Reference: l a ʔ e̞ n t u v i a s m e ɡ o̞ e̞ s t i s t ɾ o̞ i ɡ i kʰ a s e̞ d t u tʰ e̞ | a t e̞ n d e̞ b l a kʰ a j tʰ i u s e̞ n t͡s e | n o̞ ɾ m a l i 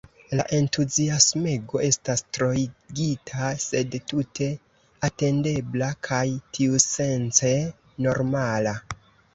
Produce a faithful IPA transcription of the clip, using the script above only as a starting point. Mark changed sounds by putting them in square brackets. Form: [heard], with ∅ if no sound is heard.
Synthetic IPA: l a ʔ e̞ n t u [z] i a s m e ɡ o̞ e̞ s t [a] s t ɾ o̞ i ɡ i [tʰ] a s e̞ d t u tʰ e̞ | a t e̞ n d e̞ b l a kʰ a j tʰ i u s e̞ n t͡s e | n o̞ ɾ m a l [a]